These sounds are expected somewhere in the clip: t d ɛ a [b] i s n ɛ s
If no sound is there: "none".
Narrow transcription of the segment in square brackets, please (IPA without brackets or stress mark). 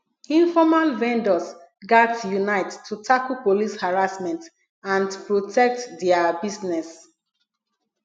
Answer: b